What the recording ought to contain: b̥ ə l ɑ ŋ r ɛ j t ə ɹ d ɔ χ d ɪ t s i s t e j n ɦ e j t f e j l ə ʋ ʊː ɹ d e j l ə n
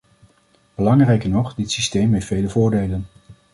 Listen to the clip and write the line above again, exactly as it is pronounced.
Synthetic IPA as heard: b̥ ə l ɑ ŋ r ɛ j k ə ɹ n ɔ χ d ɪ t s i s t e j m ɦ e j t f e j l ə v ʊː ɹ d e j l ə n